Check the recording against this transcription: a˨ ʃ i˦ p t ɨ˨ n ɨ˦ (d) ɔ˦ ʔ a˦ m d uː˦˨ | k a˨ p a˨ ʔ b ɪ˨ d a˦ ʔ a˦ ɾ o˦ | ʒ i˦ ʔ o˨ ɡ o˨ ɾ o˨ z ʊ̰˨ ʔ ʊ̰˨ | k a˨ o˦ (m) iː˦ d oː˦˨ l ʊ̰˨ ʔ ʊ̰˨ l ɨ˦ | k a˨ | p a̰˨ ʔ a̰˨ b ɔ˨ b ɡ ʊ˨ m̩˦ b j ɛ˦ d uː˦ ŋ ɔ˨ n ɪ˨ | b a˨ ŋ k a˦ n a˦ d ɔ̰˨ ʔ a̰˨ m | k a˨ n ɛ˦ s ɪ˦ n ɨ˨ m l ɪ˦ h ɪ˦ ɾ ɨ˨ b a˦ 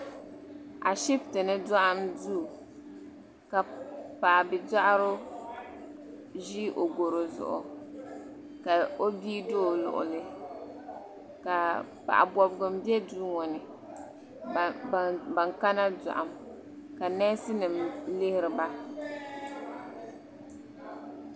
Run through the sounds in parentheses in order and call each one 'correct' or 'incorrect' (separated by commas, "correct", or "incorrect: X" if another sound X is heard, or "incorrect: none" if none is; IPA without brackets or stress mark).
correct, incorrect: b